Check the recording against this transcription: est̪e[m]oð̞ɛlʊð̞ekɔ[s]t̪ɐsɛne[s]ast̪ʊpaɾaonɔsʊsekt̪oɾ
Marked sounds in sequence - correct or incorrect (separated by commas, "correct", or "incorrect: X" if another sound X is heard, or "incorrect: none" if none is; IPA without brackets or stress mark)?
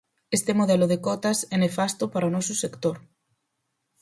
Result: correct, incorrect: none, incorrect: f